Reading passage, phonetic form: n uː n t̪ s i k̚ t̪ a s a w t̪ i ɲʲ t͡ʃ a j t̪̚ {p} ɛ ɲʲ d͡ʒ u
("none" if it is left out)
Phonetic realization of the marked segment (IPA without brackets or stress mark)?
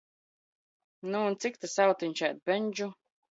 b